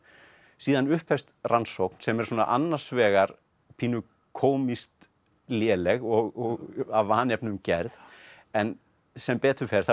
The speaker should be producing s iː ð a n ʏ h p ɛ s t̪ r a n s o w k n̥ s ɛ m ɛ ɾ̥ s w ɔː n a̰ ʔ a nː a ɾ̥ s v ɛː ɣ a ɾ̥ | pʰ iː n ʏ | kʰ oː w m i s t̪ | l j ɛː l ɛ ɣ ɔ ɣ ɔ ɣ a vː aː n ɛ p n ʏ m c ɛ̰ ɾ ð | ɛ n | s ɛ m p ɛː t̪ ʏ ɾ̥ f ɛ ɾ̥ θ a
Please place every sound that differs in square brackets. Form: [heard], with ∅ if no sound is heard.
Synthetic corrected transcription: s iː ð a n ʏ h p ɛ s t̪ r a n s o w k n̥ s ɛ m ɛ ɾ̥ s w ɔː n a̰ ʔ a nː a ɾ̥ s v ɛː ɣ a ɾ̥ | pʰ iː n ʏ | kʰ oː w m i s t̪ | l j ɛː l ɛ ɣ ɔ ɣ ɔ ɣ a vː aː n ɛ p n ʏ m c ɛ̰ ɾ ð | ɛ n | s ɛ m p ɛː t̪ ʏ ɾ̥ f ɛ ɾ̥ θ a

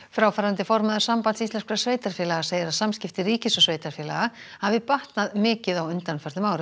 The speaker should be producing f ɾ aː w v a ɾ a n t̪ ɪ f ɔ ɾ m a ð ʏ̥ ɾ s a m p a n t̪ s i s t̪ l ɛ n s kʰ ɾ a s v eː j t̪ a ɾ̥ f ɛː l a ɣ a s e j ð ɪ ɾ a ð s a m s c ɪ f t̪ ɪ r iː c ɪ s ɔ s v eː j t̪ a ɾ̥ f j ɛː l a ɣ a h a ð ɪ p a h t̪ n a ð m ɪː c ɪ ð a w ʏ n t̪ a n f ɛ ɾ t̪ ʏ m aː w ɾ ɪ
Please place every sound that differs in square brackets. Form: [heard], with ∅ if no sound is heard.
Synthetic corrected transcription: f ɾ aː w [f] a ɾ a n t̪ ɪ f ɔ ɾ m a ð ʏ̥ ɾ s a m p a n t̪ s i s t̪ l ɛ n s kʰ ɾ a s v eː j t̪ a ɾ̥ f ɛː l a ɣ a s e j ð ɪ ɾ a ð s a m s c ɪ f t̪ ɪ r iː c ɪ s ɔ s v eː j t̪ a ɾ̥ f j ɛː l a ɣ a h a [v] ɪ p a h t̪ n a ð m ɪː c ɪ ð a w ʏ n t̪ a n f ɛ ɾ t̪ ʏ m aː w ɾ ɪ

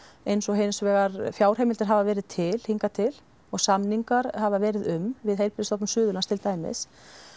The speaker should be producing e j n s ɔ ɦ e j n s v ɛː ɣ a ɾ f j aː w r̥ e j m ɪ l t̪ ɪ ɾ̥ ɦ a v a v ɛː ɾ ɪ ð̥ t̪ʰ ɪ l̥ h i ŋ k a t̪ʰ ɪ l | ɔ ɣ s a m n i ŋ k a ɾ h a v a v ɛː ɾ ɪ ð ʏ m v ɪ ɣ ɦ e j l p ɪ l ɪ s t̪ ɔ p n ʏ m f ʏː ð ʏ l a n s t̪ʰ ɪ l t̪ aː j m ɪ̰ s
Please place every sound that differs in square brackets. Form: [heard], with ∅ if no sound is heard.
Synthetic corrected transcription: e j n s ɔ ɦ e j n s v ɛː ɣ a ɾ f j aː w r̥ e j m ɪ l t̪ ɪ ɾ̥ ɦ a v a v ɛː ɾ ɪ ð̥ t̪ʰ ɪ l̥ h i ŋ k a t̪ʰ ɪ l | ɔ ɣ s a m n i ŋ k a ɾ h a v a v ɛː ɾ ɪ ð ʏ m v ɪ [ð] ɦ e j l p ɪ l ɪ s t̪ ɔ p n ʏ m [s] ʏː ð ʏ l a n s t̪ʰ ɪ l t̪ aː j m ɪ̰ s

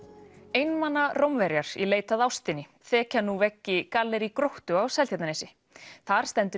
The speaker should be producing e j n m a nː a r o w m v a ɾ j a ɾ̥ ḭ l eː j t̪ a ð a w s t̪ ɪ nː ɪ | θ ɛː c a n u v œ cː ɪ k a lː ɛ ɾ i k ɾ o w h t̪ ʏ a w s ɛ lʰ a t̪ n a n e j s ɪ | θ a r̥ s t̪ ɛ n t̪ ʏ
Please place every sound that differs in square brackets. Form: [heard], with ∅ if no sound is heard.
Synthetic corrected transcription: e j n m a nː a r o w m v [ɛ] ɾ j a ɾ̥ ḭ l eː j t̪ a ð a w s t̪ ɪ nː ɪ | θ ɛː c a n u v [ɛ] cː ɪ k a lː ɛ ɾ i k ɾ o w h t̪ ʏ a w s ɛ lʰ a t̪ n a n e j s ɪ | θ a [ɾ̥] s t̪ ɛ n t̪ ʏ

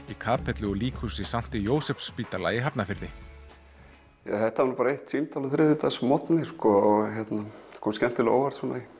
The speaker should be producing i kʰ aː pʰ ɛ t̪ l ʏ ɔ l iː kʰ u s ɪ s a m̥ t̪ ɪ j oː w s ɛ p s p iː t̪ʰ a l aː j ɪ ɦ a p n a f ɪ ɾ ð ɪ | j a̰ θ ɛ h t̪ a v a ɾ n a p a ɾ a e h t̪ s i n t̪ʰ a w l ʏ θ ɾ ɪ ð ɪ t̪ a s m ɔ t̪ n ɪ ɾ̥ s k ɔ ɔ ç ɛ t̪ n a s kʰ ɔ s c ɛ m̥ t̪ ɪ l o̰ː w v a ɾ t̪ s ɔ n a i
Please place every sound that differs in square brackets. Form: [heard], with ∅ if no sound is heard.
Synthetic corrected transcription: i kʰ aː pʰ ɛ t̪ l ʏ ɔ l iː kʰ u s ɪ s a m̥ t̪ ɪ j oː w s ɛ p s p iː [t̪] a l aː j ɪ ɦ a p n a f ɪ ɾ ð ɪ | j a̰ θ ɛ h t̪ a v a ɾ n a p a ɾ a e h t̪ s i n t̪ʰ a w l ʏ θ ɾ ɪ ð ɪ t̪ a s m ɔ t̪ n ɪ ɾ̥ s k ɔ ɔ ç ɛ t̪ n a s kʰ ɔ s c ɛ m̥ t̪ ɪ l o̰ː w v a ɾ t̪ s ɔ n a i

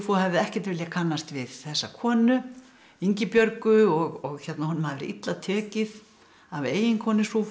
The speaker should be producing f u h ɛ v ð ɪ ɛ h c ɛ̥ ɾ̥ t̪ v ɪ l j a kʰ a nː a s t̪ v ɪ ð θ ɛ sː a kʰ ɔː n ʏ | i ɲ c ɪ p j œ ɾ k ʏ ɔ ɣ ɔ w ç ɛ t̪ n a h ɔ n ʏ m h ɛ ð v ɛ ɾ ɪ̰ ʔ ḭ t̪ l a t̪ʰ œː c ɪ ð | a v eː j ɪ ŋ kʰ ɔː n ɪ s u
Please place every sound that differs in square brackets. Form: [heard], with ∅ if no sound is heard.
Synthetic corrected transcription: f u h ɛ v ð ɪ ɛ h c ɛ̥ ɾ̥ t̪ v ɪ l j a kʰ a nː a s t̪ v ɪ ð θ ɛ sː a kʰ ɔː n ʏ | i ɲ c ɪ p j œ ɾ k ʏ ɔ ɣ ɔ [ɣ] ç ɛ t̪ n a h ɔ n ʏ m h [a] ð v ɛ ɾ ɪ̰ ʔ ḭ t̪ l a t̪ʰ œː c ɪ ð | a v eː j ɪ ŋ kʰ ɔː n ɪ s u

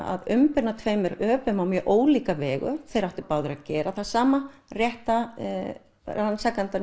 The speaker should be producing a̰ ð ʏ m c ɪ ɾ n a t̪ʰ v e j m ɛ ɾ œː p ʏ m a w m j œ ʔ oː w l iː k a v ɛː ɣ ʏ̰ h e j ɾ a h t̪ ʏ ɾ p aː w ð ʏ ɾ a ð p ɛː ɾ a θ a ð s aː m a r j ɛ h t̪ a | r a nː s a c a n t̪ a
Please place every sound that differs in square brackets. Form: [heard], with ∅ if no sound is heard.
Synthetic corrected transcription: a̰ ð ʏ m [p] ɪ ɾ n a t̪ʰ v e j m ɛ ɾ œː p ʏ m a w m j œ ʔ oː w l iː k a v ɛː ɣ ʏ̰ [θ] e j ɾ a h t̪ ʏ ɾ p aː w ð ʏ ɾ a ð [c] ɛː ɾ a θ a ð s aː m a r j ɛ h t̪ a | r a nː s a [k] a n t̪ a

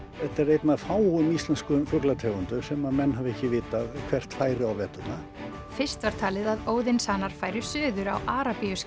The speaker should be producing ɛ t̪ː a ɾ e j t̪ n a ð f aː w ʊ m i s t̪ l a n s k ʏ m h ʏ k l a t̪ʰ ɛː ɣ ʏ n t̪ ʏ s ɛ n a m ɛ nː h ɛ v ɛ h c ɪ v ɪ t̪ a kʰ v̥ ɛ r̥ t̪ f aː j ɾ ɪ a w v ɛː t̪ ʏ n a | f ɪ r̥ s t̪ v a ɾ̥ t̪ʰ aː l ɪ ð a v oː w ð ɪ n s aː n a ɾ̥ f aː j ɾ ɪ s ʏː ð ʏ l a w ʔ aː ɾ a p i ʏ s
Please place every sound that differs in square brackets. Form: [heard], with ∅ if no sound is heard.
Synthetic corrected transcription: ɛ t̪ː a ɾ e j t̪ n a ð f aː w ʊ m i s t̪ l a n s k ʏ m [f] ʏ k l a t̪ʰ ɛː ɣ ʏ n t̪ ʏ s ɛ [m] a m ɛ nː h [a] v ɛ h c ɪ v [ɪː] t̪ a kʰ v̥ ɛ r̥ t̪ f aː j ɾ ɪ a w v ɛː t̪ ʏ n a | f ɪ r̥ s t̪ v a ɾ̥ t̪ʰ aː l ɪ ð a [ð] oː w ð ɪ n s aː n a ɾ̥ f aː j ɾ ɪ s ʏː ð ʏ [ɾ] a w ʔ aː ɾ a p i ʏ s

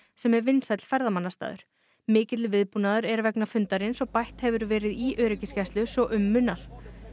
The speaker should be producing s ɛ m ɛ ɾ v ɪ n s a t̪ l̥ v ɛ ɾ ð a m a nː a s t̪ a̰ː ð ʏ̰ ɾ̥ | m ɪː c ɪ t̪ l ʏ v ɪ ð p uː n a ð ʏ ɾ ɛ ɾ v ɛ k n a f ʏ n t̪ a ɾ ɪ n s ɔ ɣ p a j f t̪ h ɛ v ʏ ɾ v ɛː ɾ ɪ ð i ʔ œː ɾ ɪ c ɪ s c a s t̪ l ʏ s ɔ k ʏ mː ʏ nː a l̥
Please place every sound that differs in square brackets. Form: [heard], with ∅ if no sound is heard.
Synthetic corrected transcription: s ɛ m ɛ ɾ v ɪ n s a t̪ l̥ [f] ɛ ɾ ð a m a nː a s t̪ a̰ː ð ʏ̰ ɾ̥ | m ɪː c ɪ t̪ l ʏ v ɪ ð p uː n a ð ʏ ɾ ɛ ɾ v ɛ k n a f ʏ n t̪ a ɾ ɪ n s ɔ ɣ p a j [h] t̪ h ɛ v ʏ ɾ v ɛː ɾ ɪ ð i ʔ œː ɾ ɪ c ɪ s c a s t̪ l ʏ s ɔ [ʔ] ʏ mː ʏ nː a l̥

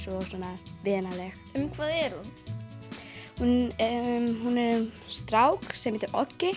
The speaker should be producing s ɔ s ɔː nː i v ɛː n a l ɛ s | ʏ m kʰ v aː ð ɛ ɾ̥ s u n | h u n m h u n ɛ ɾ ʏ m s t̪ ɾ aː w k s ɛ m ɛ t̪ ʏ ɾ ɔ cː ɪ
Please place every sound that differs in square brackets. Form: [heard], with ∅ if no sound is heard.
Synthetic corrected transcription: s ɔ s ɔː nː [a] v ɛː n a l ɛ [x] | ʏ m kʰ v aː ð ɛ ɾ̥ [h] u n | h u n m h u n ɛ ɾ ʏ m s t̪ ɾ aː w k s ɛ m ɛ t̪ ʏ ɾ ɔ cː ɪ

